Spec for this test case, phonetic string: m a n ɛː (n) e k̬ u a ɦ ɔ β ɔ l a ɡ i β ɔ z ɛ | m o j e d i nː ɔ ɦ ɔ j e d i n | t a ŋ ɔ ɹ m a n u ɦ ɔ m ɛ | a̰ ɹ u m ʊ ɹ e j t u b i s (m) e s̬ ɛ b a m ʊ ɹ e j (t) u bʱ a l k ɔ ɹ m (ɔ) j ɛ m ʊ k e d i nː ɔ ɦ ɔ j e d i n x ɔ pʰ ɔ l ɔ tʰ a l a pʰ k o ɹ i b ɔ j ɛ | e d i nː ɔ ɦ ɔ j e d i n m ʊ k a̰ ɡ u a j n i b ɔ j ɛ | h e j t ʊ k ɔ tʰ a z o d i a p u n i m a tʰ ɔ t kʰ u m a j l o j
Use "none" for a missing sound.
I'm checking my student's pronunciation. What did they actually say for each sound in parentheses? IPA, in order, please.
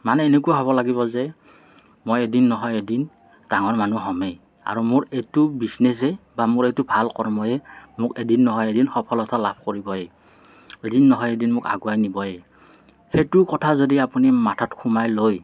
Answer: n, n, t, ɔ

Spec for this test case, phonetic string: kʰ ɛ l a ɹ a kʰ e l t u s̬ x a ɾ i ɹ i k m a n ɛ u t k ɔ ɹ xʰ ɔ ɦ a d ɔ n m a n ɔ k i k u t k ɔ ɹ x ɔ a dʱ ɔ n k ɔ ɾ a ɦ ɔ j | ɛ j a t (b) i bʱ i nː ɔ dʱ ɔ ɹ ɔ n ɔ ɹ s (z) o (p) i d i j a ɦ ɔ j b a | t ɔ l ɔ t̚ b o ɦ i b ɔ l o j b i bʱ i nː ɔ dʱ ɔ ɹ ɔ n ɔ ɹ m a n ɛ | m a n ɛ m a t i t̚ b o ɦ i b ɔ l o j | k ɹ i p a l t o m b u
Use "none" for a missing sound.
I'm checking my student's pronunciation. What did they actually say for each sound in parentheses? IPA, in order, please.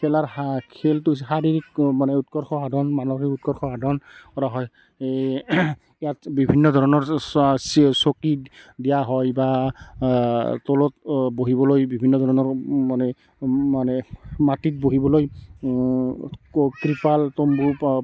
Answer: b, s, k

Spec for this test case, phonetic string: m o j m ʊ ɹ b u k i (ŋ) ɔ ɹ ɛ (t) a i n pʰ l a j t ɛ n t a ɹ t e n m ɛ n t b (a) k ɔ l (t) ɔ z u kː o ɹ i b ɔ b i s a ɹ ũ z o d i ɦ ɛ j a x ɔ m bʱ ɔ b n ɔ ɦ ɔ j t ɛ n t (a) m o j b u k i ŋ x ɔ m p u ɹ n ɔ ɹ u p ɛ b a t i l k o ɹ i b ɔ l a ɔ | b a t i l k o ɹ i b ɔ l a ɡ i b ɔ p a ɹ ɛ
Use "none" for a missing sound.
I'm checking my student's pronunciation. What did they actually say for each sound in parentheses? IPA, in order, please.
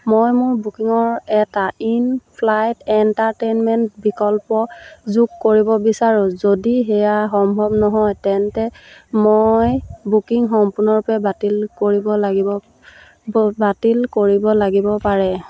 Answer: ŋ, t, i, p, ɛ

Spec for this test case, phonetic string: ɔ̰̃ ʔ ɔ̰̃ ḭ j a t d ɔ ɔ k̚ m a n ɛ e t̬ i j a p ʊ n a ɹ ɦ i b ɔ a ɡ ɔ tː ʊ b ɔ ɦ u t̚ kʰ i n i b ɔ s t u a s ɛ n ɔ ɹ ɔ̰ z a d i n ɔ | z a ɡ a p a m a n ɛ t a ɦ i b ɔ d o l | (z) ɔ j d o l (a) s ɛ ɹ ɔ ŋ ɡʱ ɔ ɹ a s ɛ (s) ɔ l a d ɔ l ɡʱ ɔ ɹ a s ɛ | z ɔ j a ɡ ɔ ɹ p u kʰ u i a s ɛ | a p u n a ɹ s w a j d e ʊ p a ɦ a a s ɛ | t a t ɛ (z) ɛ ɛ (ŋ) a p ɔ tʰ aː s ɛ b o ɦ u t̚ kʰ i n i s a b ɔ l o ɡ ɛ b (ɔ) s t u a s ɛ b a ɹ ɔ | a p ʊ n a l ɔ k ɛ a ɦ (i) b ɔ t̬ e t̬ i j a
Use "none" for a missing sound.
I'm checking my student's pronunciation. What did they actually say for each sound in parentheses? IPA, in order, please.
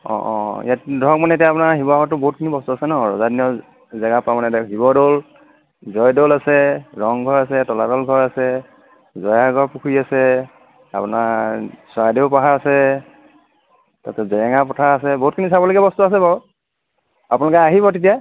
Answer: z, a, t, z, ŋ, ɔ, i

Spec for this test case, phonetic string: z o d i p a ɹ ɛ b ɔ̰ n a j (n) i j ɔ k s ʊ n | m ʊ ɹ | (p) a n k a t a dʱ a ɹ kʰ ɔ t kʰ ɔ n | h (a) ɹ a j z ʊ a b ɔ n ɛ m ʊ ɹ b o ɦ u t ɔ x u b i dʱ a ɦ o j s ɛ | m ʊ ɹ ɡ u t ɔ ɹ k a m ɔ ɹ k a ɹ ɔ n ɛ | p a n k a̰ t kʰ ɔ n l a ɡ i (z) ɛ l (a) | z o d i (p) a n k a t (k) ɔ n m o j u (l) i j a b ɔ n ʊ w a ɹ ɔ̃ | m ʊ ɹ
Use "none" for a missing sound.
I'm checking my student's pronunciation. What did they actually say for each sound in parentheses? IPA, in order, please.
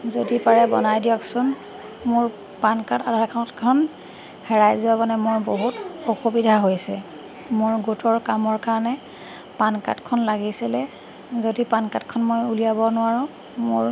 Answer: d, p, ɛ, s, ɛ, p, kʰ, l

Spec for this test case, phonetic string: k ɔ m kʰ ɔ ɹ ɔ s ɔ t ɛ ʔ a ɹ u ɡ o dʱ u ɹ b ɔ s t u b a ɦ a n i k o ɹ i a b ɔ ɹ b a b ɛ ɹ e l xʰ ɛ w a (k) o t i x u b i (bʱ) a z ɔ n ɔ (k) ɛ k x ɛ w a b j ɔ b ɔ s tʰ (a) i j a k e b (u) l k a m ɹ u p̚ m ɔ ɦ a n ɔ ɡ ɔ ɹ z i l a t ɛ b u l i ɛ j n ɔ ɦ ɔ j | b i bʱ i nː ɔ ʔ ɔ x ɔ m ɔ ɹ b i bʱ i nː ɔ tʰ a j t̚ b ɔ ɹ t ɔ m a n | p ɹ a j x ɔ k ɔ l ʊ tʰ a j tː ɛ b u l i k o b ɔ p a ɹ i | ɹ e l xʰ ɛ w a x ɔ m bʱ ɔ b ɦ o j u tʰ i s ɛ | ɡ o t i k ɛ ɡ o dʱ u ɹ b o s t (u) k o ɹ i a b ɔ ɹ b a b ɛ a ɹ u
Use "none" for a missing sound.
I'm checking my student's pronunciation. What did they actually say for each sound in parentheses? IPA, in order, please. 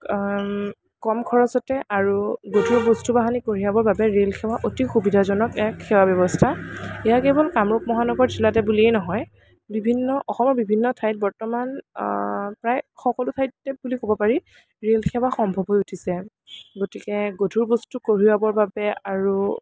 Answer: ʔ, dʱ, k, a, ɔ, u

